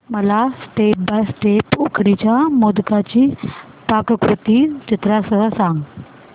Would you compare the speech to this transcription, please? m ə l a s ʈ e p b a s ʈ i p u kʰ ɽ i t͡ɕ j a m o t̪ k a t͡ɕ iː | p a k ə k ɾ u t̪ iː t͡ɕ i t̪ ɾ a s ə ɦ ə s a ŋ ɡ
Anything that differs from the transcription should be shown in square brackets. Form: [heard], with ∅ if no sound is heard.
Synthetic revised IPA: m ə l a s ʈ e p b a s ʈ [e] p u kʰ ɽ i t͡ɕ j a m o [d̪] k a t͡ɕ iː | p a k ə k ɾ u t̪ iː t͡ɕ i t̪ ɾ a s ə ɦ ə s a ŋ ɡ